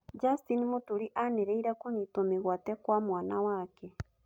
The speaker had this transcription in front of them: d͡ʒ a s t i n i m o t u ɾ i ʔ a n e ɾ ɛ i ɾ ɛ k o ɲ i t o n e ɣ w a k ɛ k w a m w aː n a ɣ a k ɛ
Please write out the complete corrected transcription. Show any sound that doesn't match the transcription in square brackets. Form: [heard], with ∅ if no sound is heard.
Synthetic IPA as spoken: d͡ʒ a s t i n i m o t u ɾ i ʔ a n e ɾ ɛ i ɾ [a] k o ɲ i t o [m] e ɣ w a [t] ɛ k w a m w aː n a [w] a k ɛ